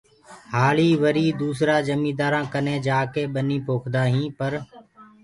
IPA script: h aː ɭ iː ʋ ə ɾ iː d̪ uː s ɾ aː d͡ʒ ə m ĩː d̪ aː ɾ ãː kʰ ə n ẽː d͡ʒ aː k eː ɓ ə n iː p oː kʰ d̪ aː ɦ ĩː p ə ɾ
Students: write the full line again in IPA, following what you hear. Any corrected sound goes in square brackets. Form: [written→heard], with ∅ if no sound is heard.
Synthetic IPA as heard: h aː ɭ iː ʋ ə ɾ iː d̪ uː s ɾ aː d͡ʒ ə m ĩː d̪ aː ɾ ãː [kʰ→k] ə n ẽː d͡ʒ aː k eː ɓ ə n iː p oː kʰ d̪ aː ɦ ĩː p ə ɾ